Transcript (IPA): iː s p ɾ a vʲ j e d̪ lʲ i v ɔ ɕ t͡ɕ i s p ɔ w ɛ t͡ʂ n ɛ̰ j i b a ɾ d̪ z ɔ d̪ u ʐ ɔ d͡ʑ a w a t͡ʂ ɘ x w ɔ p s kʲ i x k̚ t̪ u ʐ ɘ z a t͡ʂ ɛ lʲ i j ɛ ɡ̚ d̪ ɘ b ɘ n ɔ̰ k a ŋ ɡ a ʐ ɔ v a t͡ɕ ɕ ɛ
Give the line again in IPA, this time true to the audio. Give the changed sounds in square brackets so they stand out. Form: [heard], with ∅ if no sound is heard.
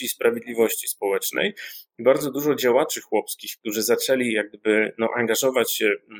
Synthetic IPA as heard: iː s p ɾ a vʲ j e d̪ lʲ i v ɔ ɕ t͡ɕ i s p ɔ w ɛ t͡ʂ n ɛ̰ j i b a ɾ d̪ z ɔ d̪ u ʐ ɔ d͡ʑ a w a t͡ʂ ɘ x w ɔ p s kʲ i x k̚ t̪ u ʐ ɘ z a t͡ʂ ɛ lʲ i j [a] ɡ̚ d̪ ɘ b ɘ n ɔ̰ [ʔ] a ŋ ɡ a ʐ ɔ v a t͡ɕ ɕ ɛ